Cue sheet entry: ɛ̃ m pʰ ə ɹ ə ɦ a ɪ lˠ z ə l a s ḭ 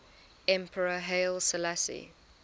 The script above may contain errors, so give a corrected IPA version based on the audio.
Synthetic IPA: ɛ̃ m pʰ ə ɹ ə ɦ e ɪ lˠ s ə l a s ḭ